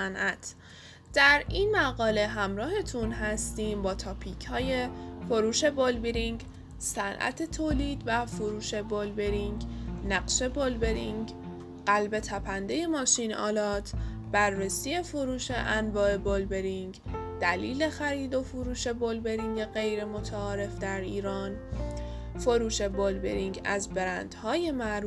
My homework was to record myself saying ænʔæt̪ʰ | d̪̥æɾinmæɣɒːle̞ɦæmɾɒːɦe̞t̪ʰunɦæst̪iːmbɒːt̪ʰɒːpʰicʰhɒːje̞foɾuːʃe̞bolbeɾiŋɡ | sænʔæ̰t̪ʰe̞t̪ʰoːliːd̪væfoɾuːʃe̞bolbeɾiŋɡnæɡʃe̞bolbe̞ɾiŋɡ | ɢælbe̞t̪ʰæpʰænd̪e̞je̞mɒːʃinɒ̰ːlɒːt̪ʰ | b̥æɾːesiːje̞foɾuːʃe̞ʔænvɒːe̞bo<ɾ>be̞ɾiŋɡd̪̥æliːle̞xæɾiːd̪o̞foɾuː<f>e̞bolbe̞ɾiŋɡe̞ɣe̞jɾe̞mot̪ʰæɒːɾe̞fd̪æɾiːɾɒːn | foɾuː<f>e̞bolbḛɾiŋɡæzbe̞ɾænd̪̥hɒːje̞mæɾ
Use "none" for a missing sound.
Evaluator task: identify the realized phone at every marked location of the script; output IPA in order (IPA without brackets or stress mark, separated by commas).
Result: l, ʃ, ʃ